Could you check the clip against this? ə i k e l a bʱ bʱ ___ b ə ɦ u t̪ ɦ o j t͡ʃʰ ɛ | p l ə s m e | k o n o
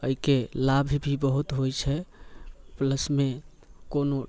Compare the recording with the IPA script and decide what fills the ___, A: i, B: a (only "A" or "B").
A